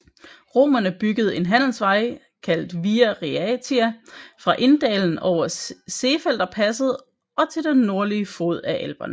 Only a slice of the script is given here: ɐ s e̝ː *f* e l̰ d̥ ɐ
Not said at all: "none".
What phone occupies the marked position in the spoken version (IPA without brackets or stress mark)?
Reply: f